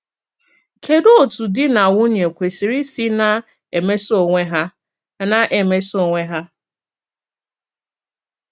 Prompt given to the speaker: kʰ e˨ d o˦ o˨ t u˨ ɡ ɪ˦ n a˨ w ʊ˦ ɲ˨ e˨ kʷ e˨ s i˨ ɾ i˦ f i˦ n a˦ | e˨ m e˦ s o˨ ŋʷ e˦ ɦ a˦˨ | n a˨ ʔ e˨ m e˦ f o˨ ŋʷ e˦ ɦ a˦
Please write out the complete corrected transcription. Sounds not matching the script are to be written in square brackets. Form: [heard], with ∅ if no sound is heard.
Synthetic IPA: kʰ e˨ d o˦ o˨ t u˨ [d] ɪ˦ n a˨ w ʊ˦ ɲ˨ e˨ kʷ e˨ s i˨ ɾ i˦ [s] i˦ n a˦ | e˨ m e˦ s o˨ ŋʷ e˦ ɦ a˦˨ | n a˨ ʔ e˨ m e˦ [s] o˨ ŋʷ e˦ ɦ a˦